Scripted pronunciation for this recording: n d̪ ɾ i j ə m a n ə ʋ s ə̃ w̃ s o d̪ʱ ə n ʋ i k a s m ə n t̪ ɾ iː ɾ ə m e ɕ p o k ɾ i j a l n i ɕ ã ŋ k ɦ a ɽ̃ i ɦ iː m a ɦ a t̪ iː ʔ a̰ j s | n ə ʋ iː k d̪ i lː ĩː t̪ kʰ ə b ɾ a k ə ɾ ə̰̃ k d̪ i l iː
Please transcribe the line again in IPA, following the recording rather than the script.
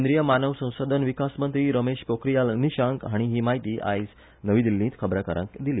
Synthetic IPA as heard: n d̪ ɾ i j ə m a n ə ʋ s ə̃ w̃ s o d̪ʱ ə n ʋ i k a s m ə n t̪ ɾ iː ɾ ə m e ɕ p o k ɾ i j a l n i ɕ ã ŋ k ɦ a ɽ̃ i ɦ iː m a ɦ i t̪ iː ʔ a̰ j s | n ə ʋ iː d̪ i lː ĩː t̪ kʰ ə b ɾ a k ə ɾ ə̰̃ k d̪ i l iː